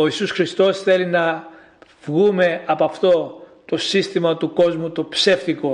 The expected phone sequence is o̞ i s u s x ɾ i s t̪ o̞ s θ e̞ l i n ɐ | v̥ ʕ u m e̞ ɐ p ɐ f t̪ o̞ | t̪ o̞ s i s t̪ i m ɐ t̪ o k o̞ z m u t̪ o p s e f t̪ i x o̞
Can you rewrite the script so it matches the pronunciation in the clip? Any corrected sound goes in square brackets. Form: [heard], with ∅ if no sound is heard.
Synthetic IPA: o̞ i s u s x ɾ i s t̪ o̞ s θ e̞ l i n ɐ | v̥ [ɣ] u m e̞ ɐ p ɐ f t̪ o̞ | t̪ o̞ s i s t̪ i m ɐ t̪ [u] k o̞ z m u t̪ o p s e f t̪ i [k] o̞